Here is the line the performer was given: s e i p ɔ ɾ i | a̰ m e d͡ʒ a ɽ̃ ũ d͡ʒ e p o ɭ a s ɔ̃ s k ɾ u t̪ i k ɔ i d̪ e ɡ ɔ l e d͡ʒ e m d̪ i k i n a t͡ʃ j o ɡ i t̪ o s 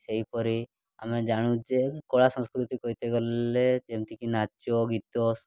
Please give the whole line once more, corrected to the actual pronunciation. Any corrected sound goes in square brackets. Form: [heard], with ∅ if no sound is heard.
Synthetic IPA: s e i p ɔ ɾ i | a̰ m e d͡ʒ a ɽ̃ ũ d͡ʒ e [k] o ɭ a s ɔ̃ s k ɾ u t̪ i k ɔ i [t̪] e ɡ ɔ l e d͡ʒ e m [t̪] i k i n a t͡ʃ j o ɡ i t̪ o s